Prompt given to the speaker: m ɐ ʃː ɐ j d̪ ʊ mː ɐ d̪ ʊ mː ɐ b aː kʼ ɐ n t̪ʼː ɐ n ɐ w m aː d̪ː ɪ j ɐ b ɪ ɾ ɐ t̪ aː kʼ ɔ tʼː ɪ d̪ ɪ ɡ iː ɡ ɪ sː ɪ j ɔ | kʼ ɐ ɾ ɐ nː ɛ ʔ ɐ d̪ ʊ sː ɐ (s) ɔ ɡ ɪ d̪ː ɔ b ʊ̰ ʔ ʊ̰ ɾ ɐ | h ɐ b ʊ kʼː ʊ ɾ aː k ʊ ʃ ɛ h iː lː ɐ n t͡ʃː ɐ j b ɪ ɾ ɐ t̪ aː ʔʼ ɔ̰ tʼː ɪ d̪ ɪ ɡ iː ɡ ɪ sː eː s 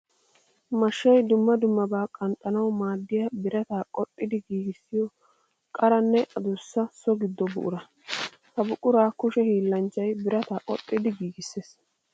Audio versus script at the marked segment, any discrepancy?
no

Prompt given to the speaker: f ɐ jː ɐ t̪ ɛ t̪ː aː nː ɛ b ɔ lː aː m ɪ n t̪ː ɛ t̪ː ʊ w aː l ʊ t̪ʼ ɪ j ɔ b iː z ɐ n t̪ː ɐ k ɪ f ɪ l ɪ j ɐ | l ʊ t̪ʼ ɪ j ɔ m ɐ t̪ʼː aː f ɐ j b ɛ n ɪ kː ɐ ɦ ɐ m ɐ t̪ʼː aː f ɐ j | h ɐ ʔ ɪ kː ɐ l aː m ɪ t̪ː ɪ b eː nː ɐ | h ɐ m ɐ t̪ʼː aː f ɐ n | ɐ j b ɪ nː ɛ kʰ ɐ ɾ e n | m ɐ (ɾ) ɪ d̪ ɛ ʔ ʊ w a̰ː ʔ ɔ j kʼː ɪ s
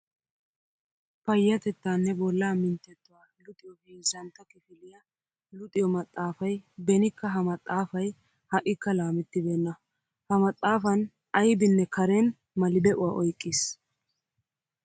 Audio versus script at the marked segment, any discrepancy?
yes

